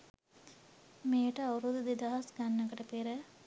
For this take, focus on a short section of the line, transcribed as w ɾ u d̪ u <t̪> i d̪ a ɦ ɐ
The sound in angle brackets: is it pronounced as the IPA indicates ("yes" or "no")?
no